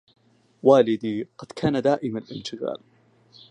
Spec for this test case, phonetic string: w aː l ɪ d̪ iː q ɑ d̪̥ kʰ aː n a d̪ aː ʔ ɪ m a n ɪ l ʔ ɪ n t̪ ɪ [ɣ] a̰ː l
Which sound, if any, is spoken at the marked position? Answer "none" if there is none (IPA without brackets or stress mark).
ɣ